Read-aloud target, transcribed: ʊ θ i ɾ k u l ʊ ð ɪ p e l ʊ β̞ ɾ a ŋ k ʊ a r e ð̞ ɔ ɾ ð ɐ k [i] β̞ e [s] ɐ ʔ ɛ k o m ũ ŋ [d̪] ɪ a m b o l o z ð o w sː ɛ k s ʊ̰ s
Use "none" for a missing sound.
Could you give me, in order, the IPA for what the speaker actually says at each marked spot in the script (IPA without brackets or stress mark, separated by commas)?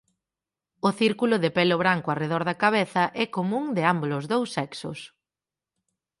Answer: a, θ, d̪